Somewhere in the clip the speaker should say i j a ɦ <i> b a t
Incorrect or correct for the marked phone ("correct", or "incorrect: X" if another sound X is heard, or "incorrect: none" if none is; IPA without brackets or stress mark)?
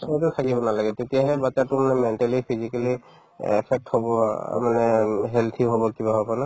incorrect: ɛ